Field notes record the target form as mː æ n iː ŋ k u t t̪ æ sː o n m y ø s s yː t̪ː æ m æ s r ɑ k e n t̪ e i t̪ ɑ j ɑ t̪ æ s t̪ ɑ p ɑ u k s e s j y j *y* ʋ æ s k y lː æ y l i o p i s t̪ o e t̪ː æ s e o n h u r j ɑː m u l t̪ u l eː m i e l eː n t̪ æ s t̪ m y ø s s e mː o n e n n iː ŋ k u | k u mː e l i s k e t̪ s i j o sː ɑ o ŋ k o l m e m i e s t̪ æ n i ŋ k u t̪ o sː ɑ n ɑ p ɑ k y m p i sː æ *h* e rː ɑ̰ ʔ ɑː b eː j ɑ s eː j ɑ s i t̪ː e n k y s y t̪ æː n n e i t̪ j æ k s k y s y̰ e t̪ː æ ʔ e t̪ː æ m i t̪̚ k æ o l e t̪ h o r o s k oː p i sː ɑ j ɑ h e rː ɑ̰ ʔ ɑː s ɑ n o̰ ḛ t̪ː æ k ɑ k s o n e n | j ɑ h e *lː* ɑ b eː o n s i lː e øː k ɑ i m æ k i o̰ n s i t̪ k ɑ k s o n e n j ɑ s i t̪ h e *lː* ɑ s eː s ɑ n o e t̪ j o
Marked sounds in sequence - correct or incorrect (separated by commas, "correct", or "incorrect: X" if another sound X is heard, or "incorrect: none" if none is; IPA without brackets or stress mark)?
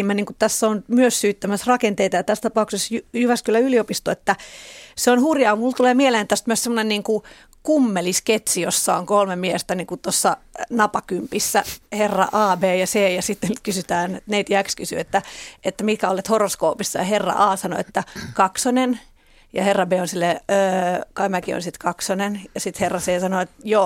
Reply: correct, correct, incorrect: rː, incorrect: rː